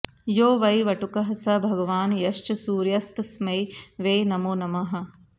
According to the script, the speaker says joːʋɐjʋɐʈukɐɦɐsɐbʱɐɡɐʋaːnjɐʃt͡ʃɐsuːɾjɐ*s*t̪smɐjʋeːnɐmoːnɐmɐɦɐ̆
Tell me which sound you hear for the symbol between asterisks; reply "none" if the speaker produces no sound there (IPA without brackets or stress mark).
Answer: s